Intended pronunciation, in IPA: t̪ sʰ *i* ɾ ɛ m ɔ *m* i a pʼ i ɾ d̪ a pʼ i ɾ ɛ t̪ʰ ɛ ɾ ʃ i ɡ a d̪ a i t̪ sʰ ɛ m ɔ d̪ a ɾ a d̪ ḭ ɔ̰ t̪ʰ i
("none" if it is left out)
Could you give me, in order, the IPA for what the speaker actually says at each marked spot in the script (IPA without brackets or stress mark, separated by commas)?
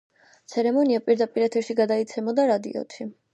ɛ, n